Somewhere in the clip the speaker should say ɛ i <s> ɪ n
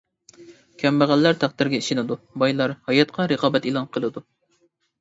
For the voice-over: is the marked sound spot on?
no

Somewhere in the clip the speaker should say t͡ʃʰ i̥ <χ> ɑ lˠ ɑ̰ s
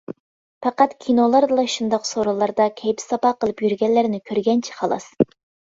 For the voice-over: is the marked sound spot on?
yes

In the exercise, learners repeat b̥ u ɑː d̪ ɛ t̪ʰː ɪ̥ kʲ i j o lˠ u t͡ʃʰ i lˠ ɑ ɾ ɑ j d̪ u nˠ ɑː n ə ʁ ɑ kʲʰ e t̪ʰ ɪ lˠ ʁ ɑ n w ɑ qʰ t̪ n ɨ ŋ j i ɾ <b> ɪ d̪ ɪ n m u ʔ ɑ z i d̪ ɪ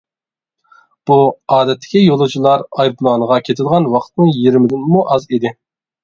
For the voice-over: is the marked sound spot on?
no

